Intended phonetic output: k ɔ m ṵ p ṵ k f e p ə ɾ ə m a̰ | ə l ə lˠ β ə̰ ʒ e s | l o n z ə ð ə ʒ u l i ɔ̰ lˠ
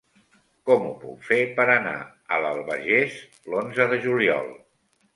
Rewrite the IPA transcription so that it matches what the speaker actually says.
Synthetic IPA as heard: k ɔ m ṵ p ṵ k f e p ə ɾ ə n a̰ | ə l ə lˠ β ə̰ ʒ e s | l o n z ə ð ə ʒ u l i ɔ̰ lˠ